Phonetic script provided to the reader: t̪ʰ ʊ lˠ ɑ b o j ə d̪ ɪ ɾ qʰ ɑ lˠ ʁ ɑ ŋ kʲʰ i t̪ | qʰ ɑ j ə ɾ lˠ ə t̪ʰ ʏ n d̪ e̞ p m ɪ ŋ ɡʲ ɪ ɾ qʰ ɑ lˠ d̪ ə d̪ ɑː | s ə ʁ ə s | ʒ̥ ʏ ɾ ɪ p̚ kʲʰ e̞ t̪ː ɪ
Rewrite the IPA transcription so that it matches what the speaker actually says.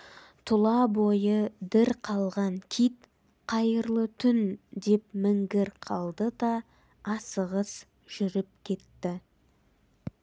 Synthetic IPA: t̪ʰ ʊ lˠ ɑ b o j ə d̪ ɪ ɾ qʰ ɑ lˠ ʁ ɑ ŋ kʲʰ i t̪ | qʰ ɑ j ə ɾ lˠ ə t̪ʰ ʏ n d̪ e̞ p m ɪ ŋ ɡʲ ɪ ɾ qʰ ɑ lˠ d̪ ə d̪ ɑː | s ə ʁ ə s | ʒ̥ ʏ ɾ ɪ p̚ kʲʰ e̞ t̪ː ɪ